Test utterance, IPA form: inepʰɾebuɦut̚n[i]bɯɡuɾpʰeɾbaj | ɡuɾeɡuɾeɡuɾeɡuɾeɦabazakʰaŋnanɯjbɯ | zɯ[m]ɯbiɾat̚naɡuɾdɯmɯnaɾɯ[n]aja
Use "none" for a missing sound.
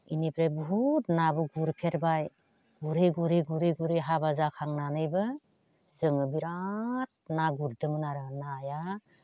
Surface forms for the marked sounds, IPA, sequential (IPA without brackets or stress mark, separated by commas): a, ŋ, n